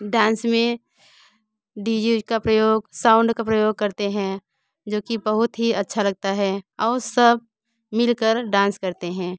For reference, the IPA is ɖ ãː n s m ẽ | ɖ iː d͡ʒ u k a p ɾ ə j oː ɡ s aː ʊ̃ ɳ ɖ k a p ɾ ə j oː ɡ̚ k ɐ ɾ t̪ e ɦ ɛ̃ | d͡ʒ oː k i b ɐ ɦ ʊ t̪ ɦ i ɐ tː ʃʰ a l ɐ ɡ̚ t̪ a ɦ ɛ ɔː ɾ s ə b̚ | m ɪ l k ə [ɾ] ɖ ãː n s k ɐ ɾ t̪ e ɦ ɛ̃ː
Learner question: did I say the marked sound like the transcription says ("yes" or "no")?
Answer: yes